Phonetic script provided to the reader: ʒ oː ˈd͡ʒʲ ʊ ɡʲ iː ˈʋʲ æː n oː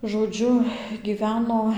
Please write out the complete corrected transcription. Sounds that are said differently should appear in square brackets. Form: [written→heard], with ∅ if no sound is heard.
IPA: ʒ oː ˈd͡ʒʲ ʊ ɡʲ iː ˈʋʲ æː n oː